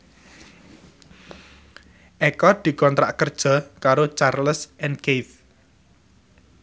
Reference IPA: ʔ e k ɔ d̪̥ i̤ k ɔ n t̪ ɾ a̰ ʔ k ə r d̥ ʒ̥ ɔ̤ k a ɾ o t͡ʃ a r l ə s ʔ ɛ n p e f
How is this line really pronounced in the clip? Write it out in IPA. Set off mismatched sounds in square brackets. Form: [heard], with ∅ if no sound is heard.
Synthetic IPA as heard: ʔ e k ɔ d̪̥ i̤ k ɔ n t̪ ɾ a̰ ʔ k ə r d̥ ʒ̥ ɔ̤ k a ɾ o t͡ʃ a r l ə s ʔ ɛ n [k] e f